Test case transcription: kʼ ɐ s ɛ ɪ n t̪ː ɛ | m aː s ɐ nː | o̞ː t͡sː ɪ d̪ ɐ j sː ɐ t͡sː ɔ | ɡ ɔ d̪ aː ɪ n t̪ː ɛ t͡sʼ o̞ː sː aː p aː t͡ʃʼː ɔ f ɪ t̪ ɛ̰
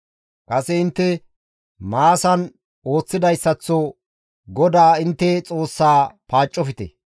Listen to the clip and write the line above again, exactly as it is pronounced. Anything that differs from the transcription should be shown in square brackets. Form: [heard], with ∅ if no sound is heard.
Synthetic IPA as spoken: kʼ ɐ s ɛ ɪ n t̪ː ɛ | m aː s ɐ [n] | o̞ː t͡sː ɪ d̪ ɐ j sː ɐ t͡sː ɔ | ɡ ɔ d̪ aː ɪ n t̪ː ɛ t͡sʼ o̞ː sː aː p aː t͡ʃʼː ɔ f ɪ t̪ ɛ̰